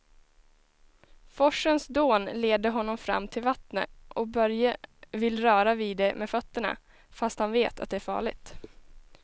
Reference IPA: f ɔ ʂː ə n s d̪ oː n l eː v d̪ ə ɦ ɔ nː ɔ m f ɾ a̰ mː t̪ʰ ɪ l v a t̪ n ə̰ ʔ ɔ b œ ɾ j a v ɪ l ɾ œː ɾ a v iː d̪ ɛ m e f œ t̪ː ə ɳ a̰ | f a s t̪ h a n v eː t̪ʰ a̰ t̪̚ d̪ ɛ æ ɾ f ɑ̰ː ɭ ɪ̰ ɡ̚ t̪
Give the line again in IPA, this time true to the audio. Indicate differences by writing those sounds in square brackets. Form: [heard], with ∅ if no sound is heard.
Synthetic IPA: f ɔ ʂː ə n s d̪ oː n l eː [∅] d̪ ə ɦ ɔ nː ɔ m f ɾ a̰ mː t̪ʰ ɪ l v a t̪ n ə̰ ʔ ɔ b œ ɾ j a v ɪ l ɾ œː ɾ a v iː d̪ ɛ m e f œ t̪ː ə ɳ a̰ | f a s t̪ h a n v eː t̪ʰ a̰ t̪̚ d̪ ɛ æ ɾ f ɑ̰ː ɭ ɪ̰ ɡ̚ t̪